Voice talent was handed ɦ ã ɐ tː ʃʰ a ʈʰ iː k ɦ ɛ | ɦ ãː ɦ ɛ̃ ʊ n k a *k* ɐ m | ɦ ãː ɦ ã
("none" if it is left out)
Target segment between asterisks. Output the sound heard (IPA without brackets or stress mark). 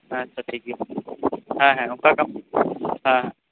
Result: k